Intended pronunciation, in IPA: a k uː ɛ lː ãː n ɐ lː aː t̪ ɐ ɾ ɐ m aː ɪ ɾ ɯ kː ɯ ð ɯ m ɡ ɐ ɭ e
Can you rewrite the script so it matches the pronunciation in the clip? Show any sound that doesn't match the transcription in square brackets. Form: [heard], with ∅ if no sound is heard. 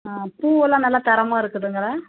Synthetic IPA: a [p] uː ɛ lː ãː n ɐ lː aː t̪ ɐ ɾ ɐ m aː ɪ ɾ ɯ kː ɯ ð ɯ [ŋ] ɡ ɐ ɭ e